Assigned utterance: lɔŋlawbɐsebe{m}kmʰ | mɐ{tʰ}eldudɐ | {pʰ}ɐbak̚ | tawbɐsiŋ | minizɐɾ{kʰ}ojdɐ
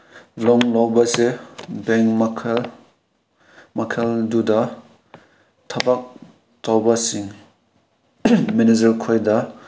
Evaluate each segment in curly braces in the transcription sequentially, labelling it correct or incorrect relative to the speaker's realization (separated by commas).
incorrect, incorrect, incorrect, correct